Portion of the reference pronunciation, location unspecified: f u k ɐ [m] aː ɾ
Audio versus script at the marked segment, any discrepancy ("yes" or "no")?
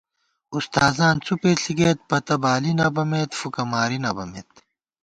no